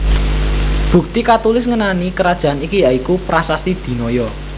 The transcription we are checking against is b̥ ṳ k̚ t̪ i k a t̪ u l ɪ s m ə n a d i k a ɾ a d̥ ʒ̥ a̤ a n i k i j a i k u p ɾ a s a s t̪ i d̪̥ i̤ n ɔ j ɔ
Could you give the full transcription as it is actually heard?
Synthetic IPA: b̥ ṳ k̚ t̪ i k a t̪ u l ɪ s ŋ ə n a n i k ə ɾ a d̥ ʒ̥ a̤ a n i k i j a i k u p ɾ a s a s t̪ i d̪̥ i̤ n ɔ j ɔ